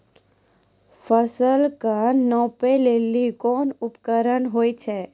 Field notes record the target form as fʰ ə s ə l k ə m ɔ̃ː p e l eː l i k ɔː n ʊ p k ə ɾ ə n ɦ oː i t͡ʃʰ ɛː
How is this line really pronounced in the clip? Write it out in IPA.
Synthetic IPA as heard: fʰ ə s ə l k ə n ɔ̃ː p e l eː l i k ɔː n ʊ p k ə ɾ ə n ɦ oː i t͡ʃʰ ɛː